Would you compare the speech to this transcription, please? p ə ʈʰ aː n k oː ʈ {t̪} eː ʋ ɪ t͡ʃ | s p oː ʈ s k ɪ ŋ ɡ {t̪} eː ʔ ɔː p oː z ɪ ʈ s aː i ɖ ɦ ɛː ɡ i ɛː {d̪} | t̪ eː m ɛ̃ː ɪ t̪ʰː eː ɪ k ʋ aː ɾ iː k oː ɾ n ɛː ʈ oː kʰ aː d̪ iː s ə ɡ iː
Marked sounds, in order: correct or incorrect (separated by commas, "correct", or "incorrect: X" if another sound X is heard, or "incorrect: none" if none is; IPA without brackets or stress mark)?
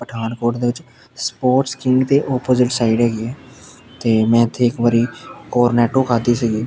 incorrect: d̪, correct, incorrect: none